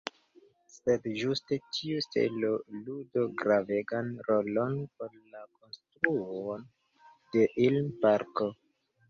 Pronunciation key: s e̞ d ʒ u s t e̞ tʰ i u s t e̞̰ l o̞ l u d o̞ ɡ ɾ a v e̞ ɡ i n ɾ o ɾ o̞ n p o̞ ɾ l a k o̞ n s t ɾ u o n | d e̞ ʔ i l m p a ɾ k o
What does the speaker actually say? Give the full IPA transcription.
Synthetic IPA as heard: s e̞ d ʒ u s t e̞ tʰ i u s t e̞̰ l o̞ l u d o̞ ɡ ɾ a v e̞ ɡ a n ɾ o l o̞ n p o̞ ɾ l a k o̞ n s t ɾ u o n | d e̞ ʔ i l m p a ɾ k o